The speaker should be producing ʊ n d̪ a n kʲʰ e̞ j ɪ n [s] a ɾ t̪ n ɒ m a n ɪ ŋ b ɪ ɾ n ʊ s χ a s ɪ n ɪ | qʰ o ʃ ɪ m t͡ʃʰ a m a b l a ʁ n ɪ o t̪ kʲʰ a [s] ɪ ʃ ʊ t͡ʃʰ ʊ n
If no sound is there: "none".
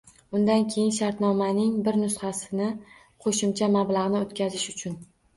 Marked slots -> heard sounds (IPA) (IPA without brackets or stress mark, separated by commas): ʃ, z